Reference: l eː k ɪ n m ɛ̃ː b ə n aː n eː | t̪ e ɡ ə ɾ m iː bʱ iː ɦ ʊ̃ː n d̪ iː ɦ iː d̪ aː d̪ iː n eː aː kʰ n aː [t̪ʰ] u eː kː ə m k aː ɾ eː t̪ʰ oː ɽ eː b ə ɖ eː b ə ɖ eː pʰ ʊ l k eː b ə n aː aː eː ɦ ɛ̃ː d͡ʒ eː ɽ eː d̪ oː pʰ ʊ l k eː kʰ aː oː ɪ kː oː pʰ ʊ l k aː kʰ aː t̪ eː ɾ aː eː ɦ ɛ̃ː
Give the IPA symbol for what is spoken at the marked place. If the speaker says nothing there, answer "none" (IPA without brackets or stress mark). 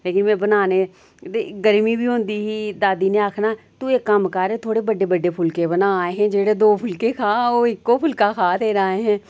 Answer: t̪